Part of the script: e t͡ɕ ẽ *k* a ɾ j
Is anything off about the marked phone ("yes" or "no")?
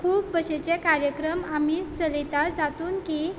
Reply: no